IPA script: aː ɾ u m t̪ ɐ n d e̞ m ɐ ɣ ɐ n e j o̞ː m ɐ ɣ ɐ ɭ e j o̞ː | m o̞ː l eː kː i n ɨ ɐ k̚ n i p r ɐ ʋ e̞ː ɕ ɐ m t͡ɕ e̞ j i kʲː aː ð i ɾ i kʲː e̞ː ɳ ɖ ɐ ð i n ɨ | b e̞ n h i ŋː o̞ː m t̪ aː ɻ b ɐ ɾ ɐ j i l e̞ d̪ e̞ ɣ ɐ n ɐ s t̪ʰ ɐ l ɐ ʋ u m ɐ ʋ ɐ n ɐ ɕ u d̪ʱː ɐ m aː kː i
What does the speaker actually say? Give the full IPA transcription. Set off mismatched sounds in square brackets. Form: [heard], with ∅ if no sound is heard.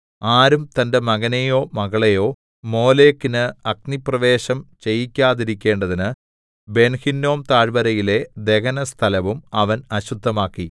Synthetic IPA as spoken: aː ɾ u m t̪ ɐ n d e̞ m ɐ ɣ ɐ n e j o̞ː m ɐ ɣ ɐ ɭ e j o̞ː | m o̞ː l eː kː i n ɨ ɐ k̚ n i p r ɐ ʋ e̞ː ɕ ɐ m t͡ɕ e̞ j i kʲː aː ð i ɾ i kʲː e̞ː ɳ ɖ ɐ ð i n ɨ | b e̞ n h i [nː] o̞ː m t̪ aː ɻ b ɐ ɾ ɐ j i l e̞ d̪ e̞ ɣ ɐ n ɐ s t̪ʰ ɐ l ɐ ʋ u m ɐ ʋ ɐ n ɐ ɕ u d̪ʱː ɐ m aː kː i